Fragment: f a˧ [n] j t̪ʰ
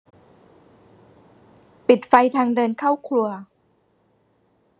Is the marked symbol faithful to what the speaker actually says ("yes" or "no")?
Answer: no